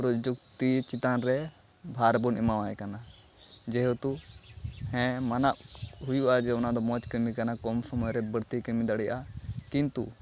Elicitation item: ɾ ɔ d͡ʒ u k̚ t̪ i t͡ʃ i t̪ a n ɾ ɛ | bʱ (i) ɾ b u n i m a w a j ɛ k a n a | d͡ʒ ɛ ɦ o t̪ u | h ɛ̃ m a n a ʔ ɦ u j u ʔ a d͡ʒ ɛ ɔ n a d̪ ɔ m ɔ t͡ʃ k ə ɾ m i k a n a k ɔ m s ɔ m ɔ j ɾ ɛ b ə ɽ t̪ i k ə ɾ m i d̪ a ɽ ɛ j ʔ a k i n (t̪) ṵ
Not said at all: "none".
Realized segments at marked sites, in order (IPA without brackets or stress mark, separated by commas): a, t̪